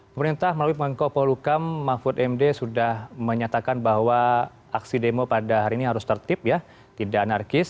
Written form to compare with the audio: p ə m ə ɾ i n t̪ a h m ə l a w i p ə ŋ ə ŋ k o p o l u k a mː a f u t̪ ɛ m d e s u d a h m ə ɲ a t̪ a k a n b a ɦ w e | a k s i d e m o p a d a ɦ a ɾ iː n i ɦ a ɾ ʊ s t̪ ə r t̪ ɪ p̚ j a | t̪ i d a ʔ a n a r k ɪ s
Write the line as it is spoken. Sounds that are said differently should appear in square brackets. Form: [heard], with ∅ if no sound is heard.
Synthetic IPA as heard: p ə m ə ɾ i n t̪ a h m ə l a w i p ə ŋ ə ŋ k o p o l u k a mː a f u t̪ ɛ m d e s u d a h m ə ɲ a t̪ a k a n b a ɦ w [a] | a k s i d e m o p a d a ɦ a ɾ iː n i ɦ a ɾ ʊ s t̪ ə r t̪ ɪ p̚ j a | t̪ i d a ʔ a n a r k ɪ s